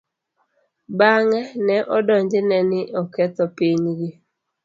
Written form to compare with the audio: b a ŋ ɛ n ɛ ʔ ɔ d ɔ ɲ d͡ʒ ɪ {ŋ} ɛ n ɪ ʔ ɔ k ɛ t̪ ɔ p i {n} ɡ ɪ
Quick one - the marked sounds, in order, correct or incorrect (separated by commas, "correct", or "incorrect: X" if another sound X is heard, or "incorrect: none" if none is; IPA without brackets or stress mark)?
incorrect: n, incorrect: ɲ